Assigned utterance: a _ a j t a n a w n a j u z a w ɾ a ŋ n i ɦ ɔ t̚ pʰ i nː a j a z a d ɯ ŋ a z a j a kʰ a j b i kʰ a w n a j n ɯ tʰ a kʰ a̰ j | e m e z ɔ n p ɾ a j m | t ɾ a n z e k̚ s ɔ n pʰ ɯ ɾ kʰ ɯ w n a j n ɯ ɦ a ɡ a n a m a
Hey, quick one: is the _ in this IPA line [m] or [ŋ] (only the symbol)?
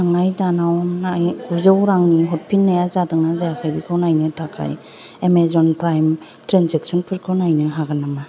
ŋ